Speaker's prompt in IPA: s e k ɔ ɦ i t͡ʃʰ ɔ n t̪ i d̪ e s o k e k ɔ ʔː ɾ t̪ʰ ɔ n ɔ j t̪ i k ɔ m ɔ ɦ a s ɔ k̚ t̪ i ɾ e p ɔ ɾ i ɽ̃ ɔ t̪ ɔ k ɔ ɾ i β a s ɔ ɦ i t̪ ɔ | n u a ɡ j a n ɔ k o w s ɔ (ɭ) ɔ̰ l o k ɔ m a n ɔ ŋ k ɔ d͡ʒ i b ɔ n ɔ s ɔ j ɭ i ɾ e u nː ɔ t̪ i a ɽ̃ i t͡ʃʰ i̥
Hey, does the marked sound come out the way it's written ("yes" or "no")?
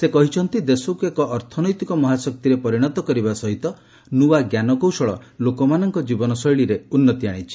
yes